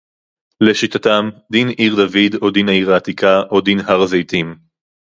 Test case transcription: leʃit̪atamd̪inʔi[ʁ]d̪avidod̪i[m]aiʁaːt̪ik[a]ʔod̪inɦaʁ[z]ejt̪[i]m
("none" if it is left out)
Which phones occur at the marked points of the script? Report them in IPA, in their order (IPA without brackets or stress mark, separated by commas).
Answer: ʁ, n, a, z, i